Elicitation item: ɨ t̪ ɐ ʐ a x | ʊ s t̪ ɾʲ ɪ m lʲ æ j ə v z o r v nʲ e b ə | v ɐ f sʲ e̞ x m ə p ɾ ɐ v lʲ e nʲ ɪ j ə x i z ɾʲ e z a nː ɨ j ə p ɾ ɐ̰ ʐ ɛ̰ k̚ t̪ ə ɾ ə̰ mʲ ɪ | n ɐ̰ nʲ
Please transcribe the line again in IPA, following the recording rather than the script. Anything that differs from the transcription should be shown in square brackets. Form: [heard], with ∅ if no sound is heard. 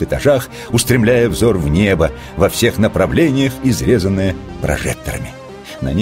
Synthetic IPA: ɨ t̪ ɐ ʐ a x | ʊ s t̪ ɾʲ ɪ m lʲ æ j ə v z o r v nʲ e b ə | v ɐ f sʲ e̞ x [n] ə p ɾ ɐ v lʲ e nʲ ɪ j ə x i z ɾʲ e z [ə] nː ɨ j ə p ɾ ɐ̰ ʐ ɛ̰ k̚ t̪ ə ɾ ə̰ mʲ ɪ | n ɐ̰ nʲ